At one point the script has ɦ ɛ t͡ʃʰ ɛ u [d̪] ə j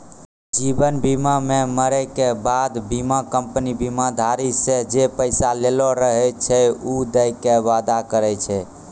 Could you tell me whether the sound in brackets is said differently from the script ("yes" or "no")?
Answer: no